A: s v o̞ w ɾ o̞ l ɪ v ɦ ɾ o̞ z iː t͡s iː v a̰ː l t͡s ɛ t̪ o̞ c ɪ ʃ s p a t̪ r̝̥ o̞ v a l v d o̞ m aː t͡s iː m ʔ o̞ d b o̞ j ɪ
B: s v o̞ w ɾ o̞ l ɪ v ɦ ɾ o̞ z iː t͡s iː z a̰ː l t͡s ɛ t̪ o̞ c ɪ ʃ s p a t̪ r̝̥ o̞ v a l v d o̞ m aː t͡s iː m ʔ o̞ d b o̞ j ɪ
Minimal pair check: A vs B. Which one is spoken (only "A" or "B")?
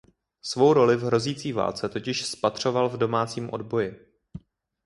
A